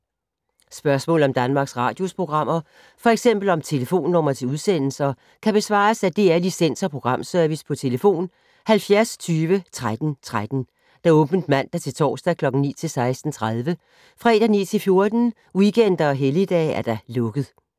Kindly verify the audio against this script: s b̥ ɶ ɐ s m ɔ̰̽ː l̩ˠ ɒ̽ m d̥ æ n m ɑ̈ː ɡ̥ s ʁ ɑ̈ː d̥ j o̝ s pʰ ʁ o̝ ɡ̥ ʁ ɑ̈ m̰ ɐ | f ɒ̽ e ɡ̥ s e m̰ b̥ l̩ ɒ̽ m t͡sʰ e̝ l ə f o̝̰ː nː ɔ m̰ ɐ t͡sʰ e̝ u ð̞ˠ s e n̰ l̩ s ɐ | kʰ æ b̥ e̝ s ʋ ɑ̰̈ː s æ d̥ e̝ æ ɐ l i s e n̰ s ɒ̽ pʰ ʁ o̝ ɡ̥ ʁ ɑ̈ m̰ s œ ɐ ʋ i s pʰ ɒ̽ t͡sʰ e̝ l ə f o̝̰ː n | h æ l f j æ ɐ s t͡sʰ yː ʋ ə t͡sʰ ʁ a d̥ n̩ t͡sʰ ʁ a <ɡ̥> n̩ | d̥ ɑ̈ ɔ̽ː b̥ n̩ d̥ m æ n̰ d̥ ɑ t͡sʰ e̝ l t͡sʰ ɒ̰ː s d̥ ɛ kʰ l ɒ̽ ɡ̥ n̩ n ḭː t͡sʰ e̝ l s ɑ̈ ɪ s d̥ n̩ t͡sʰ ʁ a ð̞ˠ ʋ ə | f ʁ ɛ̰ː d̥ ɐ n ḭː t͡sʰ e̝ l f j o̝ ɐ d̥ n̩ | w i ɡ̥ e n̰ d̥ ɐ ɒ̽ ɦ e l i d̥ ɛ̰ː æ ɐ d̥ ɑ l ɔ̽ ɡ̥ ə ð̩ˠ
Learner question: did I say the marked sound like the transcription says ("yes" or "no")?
no